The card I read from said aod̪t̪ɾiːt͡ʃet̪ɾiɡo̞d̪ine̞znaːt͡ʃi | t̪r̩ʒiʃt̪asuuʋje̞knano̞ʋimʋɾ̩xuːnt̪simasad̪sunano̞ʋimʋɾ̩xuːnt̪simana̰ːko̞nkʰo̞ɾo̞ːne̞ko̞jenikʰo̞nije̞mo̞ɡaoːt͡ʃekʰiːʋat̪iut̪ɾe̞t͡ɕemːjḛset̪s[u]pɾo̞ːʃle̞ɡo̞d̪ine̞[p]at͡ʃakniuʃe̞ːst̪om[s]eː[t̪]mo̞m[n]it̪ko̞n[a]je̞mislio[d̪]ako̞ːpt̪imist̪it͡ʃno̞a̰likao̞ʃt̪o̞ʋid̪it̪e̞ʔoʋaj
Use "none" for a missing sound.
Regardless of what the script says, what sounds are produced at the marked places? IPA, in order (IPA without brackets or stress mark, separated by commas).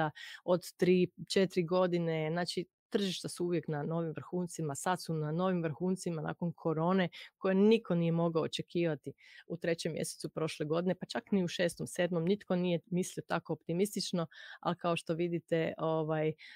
u, p, s, d̪, n, i, t̪